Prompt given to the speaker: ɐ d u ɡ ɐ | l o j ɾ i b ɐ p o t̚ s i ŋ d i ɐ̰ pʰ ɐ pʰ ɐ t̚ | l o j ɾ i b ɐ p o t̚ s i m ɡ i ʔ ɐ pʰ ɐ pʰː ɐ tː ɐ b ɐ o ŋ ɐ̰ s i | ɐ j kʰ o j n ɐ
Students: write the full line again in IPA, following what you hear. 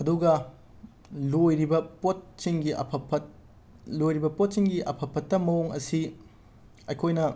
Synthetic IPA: ɐ d u ɡ ɐ | l o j ɾ i b ɐ p o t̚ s i ŋ ɡ i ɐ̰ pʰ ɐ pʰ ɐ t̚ | l o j ɾ i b ɐ p o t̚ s i ŋ ɡ i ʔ ɐ pʰ ɐ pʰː ɐ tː ɐ m ɐ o ŋ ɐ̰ s i | ɐ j kʰ o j n ɐ

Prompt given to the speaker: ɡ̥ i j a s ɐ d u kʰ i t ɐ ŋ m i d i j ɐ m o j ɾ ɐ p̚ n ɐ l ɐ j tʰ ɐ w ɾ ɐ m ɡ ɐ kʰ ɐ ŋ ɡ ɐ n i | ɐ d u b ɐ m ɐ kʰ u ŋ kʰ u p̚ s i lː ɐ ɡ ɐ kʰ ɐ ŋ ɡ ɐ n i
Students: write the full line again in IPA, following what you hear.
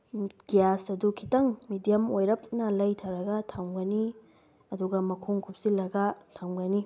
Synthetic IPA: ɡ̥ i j a s ɐ d u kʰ i t ɐ ŋ m i d i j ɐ m o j ɾ ɐ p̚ n ɐ l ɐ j tʰ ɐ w ɾ ɐ ɡ ɐ tʰ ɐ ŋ ɡ ɐ n i | ɐ d u ɡ ɐ m ɐ kʰ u ŋ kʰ u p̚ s i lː ɐ ɡ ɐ tʰ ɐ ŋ ɡ ɐ n i

